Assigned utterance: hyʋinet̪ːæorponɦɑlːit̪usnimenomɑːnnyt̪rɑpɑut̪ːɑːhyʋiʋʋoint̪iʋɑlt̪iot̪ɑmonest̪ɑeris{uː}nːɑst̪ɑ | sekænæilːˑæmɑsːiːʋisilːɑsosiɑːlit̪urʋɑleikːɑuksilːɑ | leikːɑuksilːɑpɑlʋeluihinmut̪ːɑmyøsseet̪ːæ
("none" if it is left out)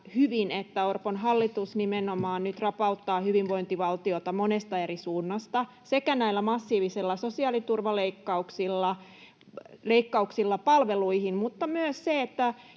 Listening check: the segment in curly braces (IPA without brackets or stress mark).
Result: uː